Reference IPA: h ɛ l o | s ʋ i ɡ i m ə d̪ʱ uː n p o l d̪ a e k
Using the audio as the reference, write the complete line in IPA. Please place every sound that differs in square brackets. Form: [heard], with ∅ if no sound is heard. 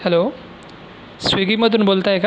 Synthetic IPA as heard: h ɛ l o | s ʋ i ɡ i m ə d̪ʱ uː n [b] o l [t̪] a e k